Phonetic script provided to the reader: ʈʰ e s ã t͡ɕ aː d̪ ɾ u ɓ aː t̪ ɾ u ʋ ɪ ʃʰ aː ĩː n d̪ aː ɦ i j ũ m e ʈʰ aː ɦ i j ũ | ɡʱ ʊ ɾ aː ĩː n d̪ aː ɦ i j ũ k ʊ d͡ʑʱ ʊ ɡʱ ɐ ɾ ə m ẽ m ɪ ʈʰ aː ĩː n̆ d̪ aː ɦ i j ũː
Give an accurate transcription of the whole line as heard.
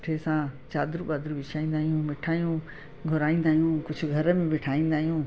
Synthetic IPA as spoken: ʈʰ e s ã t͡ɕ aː d̪ ɾ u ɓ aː d̪ ɾ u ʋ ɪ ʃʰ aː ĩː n d̪ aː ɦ i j ũ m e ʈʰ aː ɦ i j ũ | ɡʱ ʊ ɾ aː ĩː n d̪ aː ɦ i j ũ k ʊ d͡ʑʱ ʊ ɡʱ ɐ ɾ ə m ẽ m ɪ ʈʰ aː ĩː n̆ d̪ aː ɦ i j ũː

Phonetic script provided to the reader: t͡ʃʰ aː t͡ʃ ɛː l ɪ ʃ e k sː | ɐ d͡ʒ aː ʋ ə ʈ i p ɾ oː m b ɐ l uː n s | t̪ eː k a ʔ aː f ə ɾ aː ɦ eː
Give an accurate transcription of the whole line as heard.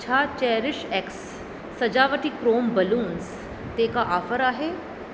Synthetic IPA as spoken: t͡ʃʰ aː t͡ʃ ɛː ɾ ɪ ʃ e k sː | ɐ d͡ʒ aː ʋ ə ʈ i k ɾ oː m b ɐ l uː n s | t̪ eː k a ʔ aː f ə ɾ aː ɦ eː

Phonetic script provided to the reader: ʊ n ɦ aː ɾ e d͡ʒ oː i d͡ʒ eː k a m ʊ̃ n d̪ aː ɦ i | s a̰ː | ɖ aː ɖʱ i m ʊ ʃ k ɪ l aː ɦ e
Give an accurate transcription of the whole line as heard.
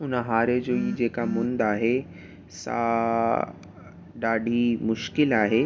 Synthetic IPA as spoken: ʊ n ɦ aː ɾ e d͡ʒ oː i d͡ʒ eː k a m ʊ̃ n d̪ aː ɦ e | s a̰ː | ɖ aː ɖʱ i m ʊ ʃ k ɪ l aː ɦ e

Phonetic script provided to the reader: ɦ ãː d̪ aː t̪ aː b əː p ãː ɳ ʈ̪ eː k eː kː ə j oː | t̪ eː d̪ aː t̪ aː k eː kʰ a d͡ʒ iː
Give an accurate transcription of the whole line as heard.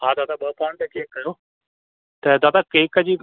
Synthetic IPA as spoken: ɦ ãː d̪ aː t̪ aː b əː p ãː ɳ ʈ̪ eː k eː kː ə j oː | t̪ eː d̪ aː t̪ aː k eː k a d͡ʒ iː

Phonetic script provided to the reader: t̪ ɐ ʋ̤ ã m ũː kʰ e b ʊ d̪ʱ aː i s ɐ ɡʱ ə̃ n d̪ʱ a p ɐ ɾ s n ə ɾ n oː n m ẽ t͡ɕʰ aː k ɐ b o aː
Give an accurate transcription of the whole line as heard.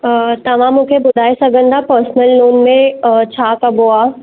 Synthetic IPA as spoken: t̪ ɐ ʋ̤ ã m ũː kʰ e b ʊ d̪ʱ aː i s ɐ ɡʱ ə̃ n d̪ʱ a p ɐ ɾ s n ə l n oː n m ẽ t͡ɕʰ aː k ɐ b o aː

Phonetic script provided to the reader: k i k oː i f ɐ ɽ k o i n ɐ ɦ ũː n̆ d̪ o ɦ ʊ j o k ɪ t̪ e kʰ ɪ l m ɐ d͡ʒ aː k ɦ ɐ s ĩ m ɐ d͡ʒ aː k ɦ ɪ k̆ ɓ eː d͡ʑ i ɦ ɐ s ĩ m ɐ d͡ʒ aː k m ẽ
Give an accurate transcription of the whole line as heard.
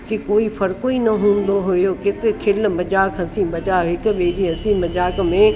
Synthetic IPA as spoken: k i k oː i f ɐ ɾ k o i n ɐ ɦ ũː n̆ d̪ o ɦ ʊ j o k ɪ t̪ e kʰ ɪ l m ɐ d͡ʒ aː k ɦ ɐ s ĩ m ɐ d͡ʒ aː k ɦ ɪ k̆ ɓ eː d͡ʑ i ɦ ɐ s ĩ m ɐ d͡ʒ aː k m ẽ

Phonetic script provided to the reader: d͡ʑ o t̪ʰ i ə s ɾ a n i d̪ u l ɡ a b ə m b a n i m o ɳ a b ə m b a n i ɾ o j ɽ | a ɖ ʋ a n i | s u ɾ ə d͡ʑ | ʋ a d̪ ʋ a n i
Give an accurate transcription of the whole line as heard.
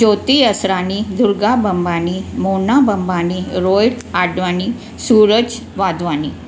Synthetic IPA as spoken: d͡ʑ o t̪ i ə s ɾ a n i d̪ u ɾ ɡ a b ə m b a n i m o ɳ a b ə m b a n i ɾ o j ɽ | a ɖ ʋ a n i | s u ɾ ə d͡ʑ | ʋ a d̪ ʋ a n i

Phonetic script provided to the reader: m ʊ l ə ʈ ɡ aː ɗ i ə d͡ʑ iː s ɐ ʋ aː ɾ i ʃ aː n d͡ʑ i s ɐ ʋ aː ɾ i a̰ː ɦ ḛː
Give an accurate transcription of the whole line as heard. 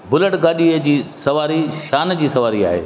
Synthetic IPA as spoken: b ʊ l ə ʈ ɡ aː ɗ i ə d͡ʑ iː s ɐ ʋ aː ɾ i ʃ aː n d͡ʑ iː s ɐ ʋ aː ɾ i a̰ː ɦ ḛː

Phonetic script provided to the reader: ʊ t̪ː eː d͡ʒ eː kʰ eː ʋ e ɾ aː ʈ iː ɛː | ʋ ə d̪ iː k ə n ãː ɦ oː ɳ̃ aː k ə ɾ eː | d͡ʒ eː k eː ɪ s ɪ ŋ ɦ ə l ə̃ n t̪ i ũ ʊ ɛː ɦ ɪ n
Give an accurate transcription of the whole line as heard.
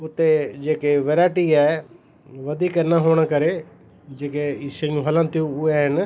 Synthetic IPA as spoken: ʊ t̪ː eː d͡ʒ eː k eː ʋ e ɾ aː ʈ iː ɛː | ʋ ə d̪ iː k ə n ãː ɦ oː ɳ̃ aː k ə ɾ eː | d͡ʒ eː k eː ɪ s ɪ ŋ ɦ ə l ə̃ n t̪ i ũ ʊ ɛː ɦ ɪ n

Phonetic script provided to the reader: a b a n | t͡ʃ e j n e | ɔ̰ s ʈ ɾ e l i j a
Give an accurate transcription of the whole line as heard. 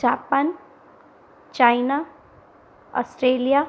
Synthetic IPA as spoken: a p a n | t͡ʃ a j n a | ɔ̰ s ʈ ɾ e l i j a

